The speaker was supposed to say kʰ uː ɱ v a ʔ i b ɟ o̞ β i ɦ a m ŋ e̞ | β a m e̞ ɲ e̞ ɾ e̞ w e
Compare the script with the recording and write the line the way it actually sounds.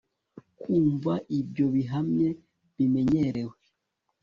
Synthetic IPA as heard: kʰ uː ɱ v a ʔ i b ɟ o̞ β i ɦ a m ɲ e̞ | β i m e̞ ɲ e̞ ɾ e̞ w e

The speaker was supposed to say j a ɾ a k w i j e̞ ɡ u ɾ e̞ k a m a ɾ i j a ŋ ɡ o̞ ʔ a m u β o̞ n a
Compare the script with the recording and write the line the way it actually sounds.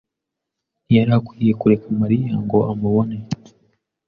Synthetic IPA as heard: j a ɾ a k w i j e̞ k u ɾ e̞ k a m a ɾ i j a ŋ ɡ o̞ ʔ a m u β o̞ n e

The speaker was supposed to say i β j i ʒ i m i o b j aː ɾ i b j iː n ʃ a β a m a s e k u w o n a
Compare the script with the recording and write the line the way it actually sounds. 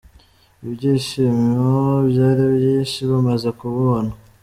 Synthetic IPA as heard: i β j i ʃ i m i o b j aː ɾ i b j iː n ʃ i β a m a z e k u β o n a

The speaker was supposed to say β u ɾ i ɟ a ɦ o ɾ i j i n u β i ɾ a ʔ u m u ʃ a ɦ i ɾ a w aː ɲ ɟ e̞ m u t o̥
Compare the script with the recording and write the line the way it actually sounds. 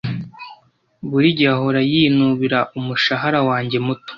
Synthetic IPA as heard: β u ɾ i ɟ a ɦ o ɾ a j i n u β i ɾ a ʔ u m u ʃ a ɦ a ɾ a w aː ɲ ɟ e̞ m u t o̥

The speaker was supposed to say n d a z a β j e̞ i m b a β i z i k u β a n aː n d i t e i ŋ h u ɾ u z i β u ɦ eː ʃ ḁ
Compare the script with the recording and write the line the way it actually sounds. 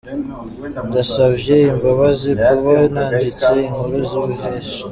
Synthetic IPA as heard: n d a s a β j e̞ i m b a β a z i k u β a n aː n d i t͡s e i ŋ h u ɾ u z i β u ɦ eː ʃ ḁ

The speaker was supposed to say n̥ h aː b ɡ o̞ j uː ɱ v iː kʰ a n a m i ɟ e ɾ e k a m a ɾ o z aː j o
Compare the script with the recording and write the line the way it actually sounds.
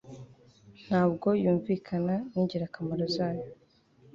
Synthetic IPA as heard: n̥ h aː b ɡ o̞ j uː ɱ v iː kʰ a n a n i ɟ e ɾ a k a m a ɾ o z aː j o

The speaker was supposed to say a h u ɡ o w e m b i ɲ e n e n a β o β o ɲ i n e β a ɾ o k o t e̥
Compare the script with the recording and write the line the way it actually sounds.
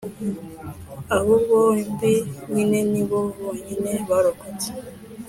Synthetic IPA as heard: a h u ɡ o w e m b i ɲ i n e n i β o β o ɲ i n e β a ɾ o k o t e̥

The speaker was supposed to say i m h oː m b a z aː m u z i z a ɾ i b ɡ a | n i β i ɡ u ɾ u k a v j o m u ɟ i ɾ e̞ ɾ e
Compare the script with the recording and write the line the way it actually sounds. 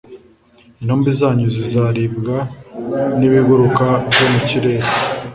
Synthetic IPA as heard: i n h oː m b i z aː ɲ u z i z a ɾ i b ɡ a | n i β i ɡ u ɾ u k a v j o m u c i ɾ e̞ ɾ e

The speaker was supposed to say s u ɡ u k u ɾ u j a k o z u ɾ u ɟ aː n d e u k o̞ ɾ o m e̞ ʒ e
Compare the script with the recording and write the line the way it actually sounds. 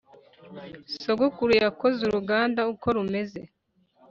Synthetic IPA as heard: s o ɡ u k u ɾ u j a k o z u ɾ u ɡ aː n d a u k o̞ ɾ u m e̞ z e

